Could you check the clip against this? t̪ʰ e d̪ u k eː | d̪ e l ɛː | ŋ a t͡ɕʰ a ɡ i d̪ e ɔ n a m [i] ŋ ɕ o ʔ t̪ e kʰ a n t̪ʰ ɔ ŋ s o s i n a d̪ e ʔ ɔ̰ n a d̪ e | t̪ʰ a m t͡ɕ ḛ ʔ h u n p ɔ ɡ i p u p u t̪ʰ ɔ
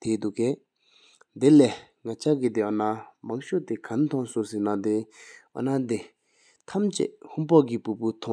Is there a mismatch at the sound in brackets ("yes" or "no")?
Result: yes